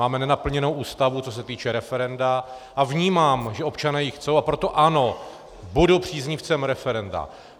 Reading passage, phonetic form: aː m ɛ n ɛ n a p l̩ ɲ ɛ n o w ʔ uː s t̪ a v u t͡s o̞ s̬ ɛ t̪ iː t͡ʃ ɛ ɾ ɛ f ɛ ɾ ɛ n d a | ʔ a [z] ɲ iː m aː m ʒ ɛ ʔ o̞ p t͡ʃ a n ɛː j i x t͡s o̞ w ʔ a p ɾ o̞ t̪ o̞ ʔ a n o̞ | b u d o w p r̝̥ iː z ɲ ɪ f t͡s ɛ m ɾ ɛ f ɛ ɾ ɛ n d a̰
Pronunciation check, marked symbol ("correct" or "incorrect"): incorrect